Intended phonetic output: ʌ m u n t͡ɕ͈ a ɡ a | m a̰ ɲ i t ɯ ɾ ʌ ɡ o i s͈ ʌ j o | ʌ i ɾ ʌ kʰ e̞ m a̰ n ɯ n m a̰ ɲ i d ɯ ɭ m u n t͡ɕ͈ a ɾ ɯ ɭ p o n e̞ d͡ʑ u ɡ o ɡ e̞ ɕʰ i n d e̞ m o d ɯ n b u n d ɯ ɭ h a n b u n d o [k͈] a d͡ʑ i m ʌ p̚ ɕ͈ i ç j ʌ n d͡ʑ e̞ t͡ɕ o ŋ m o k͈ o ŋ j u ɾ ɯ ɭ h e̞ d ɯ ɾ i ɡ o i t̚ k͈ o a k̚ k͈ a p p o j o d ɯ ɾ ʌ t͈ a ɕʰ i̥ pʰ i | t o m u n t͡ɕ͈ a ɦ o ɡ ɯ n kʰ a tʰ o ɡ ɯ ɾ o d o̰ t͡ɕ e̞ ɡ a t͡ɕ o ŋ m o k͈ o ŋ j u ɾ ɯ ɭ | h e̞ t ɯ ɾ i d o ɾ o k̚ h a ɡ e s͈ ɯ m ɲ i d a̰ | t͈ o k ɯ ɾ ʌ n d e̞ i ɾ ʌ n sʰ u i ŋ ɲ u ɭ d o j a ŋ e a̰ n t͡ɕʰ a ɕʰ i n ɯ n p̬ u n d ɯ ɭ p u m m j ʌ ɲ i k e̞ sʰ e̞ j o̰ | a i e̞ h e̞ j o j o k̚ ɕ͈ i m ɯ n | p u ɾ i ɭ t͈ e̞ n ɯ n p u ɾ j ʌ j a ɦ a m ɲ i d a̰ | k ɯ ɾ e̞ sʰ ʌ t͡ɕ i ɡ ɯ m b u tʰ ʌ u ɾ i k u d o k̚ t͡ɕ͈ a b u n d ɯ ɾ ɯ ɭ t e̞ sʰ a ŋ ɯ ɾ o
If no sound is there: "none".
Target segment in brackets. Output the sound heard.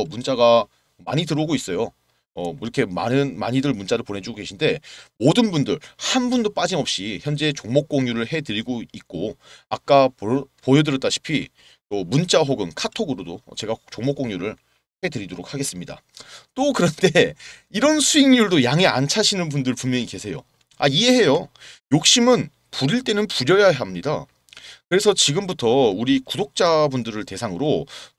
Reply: p͈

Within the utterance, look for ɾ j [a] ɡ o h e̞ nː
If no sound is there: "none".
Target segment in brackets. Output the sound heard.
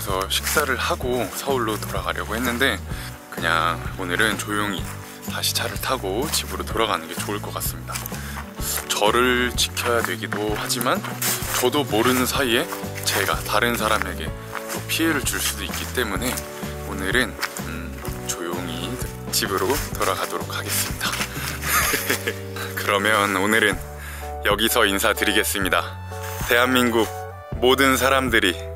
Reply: ʌ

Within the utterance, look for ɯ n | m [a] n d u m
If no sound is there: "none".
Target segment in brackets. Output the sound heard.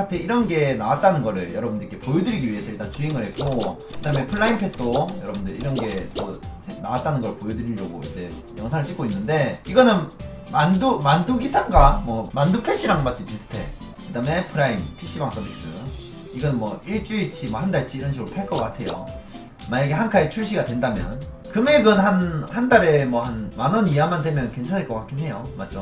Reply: a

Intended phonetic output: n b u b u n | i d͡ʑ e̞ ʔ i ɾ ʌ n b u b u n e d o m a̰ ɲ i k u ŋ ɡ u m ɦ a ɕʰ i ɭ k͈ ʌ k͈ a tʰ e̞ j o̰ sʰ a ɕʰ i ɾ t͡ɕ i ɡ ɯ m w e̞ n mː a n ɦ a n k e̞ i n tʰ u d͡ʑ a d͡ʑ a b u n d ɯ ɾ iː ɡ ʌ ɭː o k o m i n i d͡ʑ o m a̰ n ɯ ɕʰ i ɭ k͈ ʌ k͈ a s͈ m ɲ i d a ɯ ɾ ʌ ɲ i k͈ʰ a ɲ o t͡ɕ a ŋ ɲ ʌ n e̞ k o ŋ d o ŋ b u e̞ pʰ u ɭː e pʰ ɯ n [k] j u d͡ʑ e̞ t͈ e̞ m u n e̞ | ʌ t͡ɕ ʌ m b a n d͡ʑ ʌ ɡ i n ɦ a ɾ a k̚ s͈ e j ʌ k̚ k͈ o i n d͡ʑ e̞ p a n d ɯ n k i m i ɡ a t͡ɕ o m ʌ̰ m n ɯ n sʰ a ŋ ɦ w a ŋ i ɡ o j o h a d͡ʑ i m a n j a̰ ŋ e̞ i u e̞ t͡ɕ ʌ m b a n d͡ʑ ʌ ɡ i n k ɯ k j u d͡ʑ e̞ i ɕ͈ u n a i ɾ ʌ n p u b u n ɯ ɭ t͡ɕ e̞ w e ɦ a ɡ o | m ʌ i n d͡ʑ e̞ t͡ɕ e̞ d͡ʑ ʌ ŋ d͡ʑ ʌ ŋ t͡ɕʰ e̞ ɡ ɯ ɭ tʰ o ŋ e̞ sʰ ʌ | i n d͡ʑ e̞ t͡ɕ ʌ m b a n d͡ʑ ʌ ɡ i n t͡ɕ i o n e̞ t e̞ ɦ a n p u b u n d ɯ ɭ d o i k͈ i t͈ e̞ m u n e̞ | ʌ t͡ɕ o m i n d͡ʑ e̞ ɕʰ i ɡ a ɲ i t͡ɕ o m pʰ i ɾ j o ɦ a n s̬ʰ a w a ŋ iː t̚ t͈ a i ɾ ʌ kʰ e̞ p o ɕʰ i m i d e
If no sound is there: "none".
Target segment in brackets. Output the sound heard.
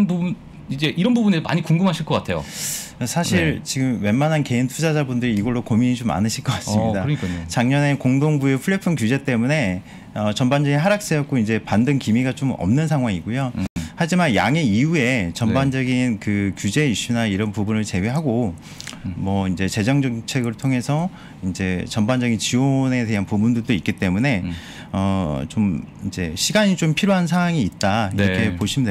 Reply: k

